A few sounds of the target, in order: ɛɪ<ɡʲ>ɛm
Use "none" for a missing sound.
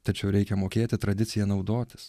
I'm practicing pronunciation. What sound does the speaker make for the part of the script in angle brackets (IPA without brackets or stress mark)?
kʲ